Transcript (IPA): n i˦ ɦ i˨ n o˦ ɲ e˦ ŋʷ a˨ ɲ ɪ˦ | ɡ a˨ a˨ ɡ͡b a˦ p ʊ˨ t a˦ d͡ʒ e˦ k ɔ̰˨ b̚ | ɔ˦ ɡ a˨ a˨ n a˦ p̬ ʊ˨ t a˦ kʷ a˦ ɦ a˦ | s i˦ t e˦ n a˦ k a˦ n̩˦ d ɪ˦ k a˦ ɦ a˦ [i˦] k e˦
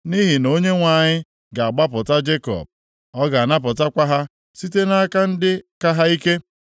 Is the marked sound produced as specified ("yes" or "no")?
yes